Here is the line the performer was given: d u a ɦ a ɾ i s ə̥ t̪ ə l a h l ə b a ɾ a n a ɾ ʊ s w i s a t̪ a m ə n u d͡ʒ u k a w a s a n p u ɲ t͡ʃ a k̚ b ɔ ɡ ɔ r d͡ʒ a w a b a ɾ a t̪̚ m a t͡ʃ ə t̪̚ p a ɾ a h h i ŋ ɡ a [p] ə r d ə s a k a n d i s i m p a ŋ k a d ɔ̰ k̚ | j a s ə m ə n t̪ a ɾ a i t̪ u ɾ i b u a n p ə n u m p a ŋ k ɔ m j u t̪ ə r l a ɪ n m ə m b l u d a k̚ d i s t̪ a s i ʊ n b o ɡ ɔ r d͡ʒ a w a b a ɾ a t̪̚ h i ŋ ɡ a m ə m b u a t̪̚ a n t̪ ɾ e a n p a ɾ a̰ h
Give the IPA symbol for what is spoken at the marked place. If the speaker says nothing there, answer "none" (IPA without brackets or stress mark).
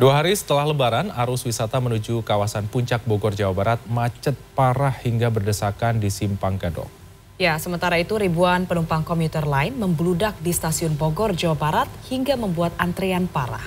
b